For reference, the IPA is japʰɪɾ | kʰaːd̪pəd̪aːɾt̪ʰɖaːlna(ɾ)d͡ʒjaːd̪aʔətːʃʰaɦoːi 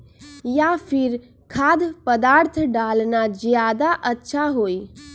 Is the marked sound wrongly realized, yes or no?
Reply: yes